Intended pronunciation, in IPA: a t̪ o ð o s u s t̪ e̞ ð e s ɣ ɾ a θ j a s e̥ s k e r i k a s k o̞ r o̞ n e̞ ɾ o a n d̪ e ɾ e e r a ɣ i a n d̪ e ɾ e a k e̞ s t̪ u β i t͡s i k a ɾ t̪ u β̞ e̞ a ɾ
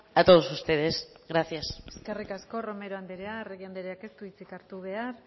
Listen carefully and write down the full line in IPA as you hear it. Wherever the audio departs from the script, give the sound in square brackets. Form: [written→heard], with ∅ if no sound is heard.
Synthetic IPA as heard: a t̪ o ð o s u s t̪ e̞ ð e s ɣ ɾ a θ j a s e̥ s k e r i k a s k o̞ r o̞ [n→m] e̞ ɾ o a n d̪ e ɾ e [e→a] r [a→e] ɣ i a n d̪ e ɾ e a k e̞ s t̪ u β i t͡s i k a ɾ t̪ u β̞ e̞ a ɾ